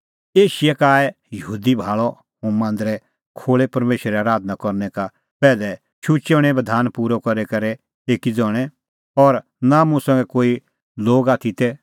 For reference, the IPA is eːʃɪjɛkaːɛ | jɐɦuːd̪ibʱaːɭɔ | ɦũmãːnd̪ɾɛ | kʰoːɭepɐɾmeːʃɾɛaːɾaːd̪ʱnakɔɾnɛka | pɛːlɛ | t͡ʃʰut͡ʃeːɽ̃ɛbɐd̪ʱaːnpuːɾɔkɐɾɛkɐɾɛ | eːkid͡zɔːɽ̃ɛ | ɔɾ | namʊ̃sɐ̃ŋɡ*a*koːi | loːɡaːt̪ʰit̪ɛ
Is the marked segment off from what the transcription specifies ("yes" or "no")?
yes